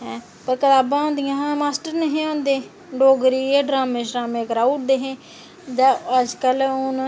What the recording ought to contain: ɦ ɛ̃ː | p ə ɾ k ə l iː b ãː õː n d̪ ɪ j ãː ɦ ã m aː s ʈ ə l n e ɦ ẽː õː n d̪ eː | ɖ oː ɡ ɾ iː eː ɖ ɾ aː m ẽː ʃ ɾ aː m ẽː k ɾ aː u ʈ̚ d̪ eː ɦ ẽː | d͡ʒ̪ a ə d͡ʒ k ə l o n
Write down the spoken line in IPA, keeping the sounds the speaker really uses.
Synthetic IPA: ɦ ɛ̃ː | p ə ɾ k ə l aː b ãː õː n d̪ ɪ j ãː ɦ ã m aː s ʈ ə ɾ n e ɦ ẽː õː n d̪ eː | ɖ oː ɡ ɾ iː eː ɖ ɾ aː m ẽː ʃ ɾ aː m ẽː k ɾ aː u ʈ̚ d̪ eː ɦ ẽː | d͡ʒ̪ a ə d͡ʒ k ə l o n